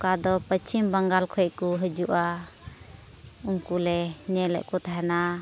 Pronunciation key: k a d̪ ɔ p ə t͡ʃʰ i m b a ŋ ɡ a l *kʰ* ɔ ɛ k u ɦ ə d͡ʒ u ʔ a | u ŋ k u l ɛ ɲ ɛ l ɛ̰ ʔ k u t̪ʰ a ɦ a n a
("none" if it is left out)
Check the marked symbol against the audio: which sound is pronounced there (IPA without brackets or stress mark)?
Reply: kʰ